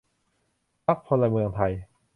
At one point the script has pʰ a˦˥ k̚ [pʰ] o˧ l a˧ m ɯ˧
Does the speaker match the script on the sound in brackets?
yes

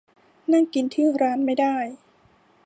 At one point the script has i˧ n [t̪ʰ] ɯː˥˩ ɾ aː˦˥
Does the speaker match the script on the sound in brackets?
yes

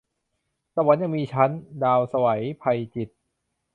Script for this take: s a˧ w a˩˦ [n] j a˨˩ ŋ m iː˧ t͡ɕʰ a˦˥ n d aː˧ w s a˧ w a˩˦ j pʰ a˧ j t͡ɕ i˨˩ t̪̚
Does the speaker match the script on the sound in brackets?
yes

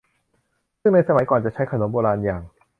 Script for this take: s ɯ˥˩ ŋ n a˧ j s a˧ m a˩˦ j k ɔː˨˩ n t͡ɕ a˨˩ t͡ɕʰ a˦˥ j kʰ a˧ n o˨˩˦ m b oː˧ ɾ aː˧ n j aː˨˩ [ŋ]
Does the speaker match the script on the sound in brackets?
yes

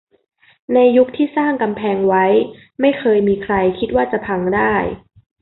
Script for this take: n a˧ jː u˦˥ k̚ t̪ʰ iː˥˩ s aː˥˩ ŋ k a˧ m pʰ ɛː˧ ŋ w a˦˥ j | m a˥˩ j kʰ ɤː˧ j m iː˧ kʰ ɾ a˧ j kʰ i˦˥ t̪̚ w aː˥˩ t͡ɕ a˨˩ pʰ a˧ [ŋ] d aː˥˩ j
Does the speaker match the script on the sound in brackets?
yes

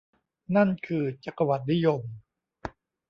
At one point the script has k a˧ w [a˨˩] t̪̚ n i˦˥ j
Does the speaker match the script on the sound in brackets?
yes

